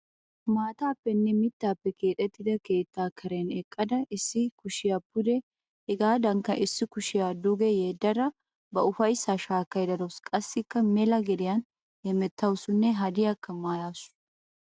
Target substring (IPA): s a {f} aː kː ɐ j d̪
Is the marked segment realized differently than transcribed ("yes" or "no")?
yes